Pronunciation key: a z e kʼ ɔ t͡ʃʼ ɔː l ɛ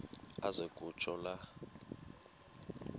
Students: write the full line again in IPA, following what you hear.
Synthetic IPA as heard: a z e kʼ u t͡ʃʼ ɔ l a